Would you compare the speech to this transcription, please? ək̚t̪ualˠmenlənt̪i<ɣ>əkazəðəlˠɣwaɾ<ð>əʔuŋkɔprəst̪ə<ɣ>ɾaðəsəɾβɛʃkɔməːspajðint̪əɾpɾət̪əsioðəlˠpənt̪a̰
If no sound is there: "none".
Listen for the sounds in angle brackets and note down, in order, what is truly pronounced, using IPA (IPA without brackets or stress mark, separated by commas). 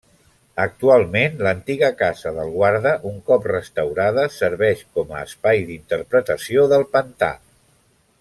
ɣ, ð, w